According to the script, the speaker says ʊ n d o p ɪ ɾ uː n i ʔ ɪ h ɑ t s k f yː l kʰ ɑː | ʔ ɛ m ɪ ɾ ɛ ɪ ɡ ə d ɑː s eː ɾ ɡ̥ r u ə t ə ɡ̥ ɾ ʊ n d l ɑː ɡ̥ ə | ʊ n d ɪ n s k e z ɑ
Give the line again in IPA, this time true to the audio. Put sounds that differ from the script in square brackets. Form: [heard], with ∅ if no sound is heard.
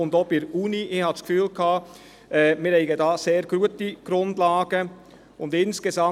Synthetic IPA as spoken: ʊ n d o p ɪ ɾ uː n i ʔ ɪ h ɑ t s k f yː l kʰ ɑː | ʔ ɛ m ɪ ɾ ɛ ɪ ɡ ə d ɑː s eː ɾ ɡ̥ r u ə t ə ɡ̥ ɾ ʊ n d l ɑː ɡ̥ ə | ʊ n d ɪ n s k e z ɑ